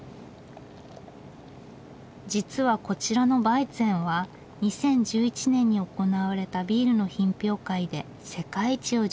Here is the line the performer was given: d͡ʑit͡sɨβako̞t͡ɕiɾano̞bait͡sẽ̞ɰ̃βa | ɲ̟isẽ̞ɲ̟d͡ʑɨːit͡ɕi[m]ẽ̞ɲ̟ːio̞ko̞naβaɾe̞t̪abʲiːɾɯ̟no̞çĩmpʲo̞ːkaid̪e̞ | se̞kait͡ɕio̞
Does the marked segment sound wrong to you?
yes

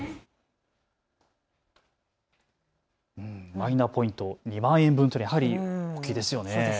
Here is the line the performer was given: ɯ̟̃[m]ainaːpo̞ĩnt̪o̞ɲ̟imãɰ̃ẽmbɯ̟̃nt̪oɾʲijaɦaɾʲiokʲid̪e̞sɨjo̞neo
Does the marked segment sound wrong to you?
no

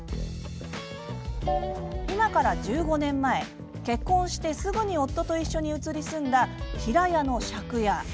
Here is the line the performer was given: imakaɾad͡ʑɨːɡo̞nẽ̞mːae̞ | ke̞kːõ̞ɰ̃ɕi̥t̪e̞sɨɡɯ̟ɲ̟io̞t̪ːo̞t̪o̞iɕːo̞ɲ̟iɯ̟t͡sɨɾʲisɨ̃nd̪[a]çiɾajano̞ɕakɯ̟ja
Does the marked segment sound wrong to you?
no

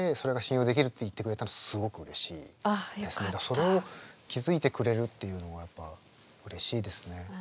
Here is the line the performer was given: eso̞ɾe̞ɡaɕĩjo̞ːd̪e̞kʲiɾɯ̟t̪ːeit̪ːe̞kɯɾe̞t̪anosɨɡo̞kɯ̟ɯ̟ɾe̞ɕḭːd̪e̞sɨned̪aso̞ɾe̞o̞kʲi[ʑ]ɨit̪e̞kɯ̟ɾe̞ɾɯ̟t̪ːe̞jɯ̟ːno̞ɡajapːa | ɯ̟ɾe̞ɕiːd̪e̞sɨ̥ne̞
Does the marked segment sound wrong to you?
yes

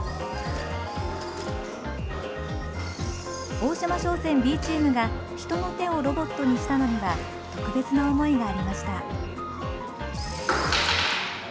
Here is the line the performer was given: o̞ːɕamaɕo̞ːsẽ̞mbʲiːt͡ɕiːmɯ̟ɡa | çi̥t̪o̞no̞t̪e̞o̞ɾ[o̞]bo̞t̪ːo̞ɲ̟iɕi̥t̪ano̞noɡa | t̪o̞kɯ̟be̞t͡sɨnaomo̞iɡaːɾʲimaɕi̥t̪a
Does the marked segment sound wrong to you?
no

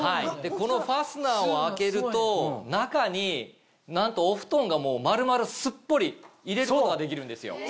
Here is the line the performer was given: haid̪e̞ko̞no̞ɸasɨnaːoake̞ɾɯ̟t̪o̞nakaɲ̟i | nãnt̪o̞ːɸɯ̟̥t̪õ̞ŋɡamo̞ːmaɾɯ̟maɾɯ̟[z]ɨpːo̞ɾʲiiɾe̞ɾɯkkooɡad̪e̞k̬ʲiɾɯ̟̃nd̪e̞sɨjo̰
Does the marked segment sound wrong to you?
yes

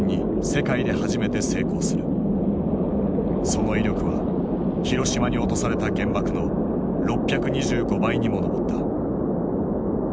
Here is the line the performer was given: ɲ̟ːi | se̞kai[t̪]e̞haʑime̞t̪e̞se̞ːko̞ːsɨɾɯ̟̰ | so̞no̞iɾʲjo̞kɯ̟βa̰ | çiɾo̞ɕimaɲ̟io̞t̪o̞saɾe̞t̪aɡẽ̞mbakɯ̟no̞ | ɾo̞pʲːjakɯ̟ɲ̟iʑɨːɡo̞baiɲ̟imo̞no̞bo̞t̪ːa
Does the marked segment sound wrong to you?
yes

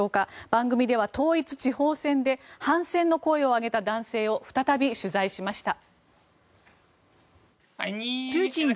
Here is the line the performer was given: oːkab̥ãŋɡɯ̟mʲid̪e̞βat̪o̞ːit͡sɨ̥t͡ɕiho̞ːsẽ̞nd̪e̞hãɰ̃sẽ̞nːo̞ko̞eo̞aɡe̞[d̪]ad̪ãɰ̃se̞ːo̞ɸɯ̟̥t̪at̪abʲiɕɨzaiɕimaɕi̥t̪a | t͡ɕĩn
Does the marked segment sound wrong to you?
yes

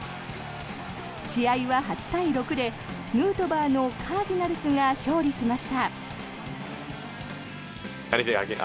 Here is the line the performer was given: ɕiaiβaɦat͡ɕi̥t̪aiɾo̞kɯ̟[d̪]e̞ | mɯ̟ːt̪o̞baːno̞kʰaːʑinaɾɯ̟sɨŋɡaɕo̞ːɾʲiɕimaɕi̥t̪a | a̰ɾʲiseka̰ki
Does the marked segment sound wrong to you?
no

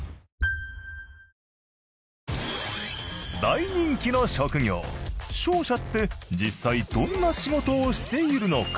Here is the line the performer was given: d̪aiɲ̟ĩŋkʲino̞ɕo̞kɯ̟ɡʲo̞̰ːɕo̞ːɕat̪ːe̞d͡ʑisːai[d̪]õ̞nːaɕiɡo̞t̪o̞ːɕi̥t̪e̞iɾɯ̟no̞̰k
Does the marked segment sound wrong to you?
no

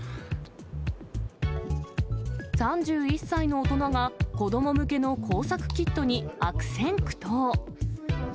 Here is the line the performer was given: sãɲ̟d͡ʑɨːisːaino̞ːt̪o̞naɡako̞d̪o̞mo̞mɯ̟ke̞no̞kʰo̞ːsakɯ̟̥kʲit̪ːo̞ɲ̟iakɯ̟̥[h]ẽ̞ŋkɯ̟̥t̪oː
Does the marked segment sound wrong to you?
yes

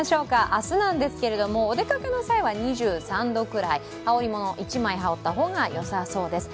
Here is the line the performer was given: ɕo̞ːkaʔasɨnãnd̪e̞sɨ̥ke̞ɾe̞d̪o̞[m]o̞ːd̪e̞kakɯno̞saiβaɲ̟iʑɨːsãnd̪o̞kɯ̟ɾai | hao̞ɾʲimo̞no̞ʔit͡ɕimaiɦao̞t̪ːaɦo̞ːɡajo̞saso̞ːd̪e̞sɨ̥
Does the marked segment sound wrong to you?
no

